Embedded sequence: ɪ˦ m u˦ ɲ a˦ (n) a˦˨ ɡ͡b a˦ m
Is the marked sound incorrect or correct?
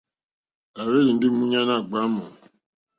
correct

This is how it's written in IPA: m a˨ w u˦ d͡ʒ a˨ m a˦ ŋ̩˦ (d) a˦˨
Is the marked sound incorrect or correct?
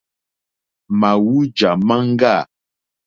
incorrect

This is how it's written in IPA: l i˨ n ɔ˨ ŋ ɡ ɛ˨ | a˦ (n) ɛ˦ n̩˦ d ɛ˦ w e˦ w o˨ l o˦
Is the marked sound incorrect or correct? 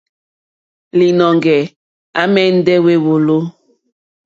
incorrect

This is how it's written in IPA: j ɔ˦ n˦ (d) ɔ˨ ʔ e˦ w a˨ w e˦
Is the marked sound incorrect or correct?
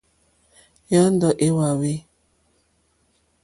correct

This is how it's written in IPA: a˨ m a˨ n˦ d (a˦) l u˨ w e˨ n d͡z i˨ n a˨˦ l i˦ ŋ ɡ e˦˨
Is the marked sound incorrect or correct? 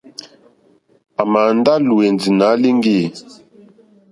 correct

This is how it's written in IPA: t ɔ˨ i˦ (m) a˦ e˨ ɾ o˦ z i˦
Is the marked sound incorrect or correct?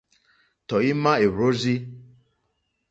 correct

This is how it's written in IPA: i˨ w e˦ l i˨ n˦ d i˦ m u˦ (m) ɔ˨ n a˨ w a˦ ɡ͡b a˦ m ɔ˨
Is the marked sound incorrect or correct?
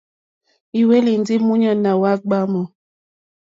incorrect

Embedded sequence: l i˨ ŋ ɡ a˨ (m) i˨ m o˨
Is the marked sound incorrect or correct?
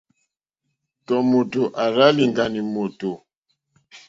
incorrect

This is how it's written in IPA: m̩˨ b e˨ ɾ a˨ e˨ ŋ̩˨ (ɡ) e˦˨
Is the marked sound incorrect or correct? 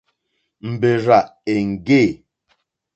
correct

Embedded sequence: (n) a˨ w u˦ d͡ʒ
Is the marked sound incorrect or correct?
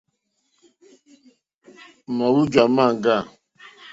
incorrect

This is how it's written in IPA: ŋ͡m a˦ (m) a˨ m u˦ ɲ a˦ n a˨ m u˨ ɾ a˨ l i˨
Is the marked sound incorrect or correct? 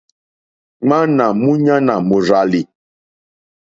incorrect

